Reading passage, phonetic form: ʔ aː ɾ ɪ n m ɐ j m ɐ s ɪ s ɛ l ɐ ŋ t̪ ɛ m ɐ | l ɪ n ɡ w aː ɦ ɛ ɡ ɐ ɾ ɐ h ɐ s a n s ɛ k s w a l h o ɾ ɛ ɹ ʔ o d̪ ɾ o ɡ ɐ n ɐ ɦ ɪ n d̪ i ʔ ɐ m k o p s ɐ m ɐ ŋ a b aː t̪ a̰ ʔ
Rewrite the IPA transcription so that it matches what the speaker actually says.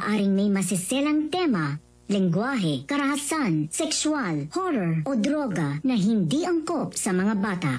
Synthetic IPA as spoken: ʔ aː ɾ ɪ ŋ m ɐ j m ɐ s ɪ s ɛ l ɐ ŋ t̪ ɛ m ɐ | l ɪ ŋ ɡ w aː ɦ ɛ k ɐ ɾ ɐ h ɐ s a n s ɛ k s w a l h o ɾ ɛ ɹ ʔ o d̪ ɾ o ɡ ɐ n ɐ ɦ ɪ n d̪ i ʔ ɐ ŋ k o p s ɐ m ɐ ŋ a b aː t̪ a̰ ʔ